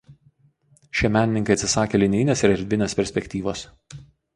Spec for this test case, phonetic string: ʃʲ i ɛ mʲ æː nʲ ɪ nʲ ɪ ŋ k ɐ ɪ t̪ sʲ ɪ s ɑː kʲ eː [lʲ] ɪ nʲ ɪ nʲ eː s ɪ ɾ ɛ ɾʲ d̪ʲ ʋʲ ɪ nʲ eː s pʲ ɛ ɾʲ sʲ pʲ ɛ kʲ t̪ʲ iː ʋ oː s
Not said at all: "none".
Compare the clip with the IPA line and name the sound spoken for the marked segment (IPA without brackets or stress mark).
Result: lʲ